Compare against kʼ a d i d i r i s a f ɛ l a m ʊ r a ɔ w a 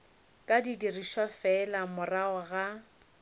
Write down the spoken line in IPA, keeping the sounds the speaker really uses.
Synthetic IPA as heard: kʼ a d i d i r i ʃ a f ɛ l a m ʊ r a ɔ ɣ a